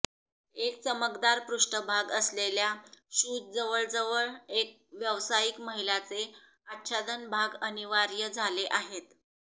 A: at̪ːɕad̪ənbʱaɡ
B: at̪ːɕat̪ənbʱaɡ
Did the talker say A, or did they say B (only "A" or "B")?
A